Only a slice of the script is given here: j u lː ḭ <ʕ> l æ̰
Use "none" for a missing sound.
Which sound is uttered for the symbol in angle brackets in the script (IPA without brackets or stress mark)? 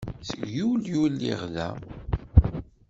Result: ʁ